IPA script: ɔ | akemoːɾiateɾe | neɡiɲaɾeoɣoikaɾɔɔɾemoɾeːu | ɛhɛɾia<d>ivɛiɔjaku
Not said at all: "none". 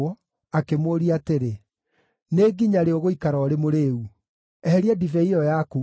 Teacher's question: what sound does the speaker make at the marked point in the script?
d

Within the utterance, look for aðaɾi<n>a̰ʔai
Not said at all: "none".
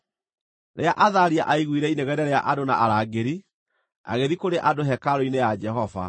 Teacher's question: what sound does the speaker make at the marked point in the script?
none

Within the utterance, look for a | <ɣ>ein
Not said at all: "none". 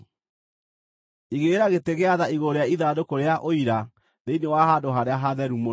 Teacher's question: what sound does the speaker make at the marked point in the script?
ð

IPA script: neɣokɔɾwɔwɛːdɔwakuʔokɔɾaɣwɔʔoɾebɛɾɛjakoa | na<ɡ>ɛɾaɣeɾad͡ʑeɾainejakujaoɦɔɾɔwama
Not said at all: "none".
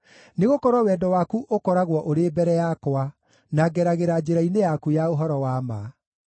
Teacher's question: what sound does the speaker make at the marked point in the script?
ɡ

